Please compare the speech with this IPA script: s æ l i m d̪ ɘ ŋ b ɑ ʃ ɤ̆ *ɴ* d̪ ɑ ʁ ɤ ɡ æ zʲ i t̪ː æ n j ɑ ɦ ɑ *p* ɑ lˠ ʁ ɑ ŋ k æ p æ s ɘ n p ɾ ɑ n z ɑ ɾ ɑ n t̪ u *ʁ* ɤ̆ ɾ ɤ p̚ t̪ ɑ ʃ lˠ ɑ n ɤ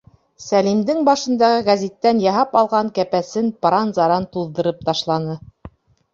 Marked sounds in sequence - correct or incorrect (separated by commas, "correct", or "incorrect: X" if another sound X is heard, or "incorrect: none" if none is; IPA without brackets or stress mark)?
incorrect: n, correct, incorrect: ð